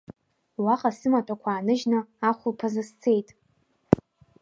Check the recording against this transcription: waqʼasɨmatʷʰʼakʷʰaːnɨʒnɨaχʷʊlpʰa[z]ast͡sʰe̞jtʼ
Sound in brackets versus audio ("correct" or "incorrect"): correct